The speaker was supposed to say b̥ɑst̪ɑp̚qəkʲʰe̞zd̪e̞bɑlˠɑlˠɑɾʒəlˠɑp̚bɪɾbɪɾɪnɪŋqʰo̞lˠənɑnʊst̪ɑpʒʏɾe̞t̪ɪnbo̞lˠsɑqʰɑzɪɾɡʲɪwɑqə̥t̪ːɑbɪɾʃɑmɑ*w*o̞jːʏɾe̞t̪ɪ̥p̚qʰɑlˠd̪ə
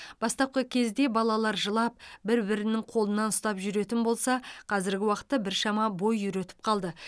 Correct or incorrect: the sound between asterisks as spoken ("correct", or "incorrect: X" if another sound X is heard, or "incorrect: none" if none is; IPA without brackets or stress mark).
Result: incorrect: b